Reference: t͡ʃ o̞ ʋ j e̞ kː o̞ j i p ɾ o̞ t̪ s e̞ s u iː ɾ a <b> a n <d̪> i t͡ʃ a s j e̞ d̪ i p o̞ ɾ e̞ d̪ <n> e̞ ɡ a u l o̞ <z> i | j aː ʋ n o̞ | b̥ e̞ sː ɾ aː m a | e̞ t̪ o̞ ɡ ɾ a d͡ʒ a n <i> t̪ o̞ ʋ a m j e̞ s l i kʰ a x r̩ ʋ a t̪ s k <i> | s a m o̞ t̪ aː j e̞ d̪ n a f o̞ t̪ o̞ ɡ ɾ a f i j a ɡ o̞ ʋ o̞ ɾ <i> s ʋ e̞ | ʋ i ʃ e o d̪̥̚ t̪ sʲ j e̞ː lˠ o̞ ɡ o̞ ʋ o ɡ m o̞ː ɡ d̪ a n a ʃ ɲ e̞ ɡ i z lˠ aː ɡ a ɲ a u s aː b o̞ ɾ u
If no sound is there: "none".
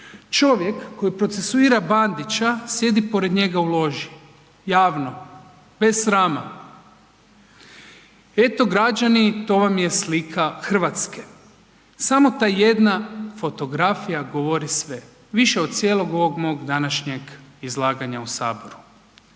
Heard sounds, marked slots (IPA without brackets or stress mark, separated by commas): b, d̪, ɲ, ʒ, i, e, i